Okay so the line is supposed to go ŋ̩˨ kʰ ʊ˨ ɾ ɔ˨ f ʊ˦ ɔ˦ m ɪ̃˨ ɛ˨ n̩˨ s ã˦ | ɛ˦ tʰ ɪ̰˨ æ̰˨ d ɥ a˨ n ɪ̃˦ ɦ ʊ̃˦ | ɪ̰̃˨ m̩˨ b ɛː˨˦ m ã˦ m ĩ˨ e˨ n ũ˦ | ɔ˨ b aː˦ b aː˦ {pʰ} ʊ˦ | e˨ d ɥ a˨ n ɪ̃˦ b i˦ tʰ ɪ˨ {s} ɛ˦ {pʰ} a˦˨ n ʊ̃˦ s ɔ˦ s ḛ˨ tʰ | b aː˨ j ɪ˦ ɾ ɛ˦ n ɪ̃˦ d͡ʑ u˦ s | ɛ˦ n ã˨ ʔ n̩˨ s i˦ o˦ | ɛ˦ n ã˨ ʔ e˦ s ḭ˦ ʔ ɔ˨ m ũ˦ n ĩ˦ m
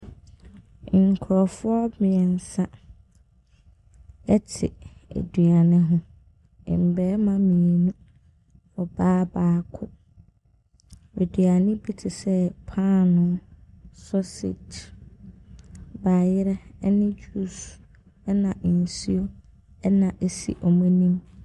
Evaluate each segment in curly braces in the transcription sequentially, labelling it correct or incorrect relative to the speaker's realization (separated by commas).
incorrect, correct, correct